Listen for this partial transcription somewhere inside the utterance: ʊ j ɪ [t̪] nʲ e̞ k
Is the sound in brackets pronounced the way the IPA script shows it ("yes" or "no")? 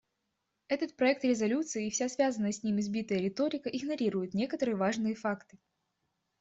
yes